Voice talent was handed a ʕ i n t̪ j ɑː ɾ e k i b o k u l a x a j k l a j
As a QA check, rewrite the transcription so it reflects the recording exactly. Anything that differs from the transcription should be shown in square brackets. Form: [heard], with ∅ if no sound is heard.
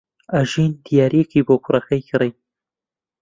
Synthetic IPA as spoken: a [ʒ] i n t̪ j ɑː ɾ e k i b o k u [ɾ] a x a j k [ɾ] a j